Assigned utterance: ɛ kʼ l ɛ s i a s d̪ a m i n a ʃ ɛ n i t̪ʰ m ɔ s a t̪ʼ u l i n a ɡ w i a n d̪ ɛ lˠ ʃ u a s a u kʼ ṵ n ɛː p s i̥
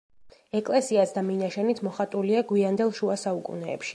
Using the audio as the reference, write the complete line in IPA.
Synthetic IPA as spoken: ɛ kʼ l ɛ s i a s d̪ a m i n a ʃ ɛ n i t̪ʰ m ɔ χ a t̪ʼ u l i a ɡ w i a n d̪ ɛ lˠ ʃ u a s a u kʼ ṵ n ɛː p ʃ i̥